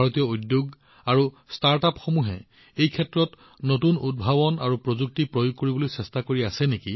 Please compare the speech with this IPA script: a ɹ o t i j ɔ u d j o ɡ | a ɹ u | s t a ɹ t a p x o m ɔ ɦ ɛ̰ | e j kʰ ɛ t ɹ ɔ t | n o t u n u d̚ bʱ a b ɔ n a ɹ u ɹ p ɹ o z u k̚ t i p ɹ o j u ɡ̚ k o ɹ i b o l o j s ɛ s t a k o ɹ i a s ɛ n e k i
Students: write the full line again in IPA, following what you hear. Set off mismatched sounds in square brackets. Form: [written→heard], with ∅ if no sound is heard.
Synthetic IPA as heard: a ɹ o t i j ɔ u d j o ɡ | a ɹ u | s t a ɹ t a p x o m [ɔ→u] ɦ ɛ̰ | e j kʰ ɛ t ɹ ɔ t | n o t u n u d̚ bʱ a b ɔ n a ɹ u [ɹ→∅] p ɹ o z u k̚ t i p ɹ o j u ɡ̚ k o ɹ i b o l o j s ɛ s t a k o ɹ i a s ɛ n e k i